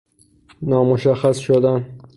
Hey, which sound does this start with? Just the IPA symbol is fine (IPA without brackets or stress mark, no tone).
n